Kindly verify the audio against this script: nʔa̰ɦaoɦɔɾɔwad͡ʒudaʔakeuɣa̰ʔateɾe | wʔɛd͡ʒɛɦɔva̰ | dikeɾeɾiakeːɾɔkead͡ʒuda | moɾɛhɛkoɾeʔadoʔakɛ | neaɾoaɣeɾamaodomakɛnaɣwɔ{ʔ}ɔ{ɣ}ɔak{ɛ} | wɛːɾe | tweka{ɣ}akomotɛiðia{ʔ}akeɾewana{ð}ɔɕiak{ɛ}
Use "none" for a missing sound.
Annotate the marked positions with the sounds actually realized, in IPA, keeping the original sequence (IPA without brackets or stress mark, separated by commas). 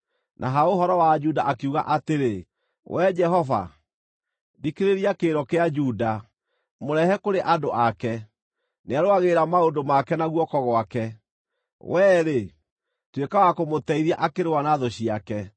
k, ɣ, ɛ, w, ʔ, ð, ɛ